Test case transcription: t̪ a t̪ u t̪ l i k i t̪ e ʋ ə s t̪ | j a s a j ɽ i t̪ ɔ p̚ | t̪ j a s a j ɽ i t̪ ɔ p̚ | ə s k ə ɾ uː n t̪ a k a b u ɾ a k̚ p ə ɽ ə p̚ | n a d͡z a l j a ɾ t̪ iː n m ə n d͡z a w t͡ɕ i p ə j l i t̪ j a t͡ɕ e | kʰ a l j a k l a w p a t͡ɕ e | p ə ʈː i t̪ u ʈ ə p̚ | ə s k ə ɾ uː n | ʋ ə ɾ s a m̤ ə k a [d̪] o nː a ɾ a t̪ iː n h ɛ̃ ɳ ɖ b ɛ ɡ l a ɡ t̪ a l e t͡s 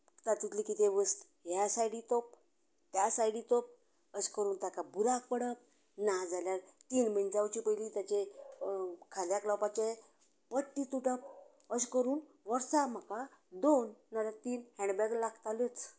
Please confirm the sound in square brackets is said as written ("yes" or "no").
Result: yes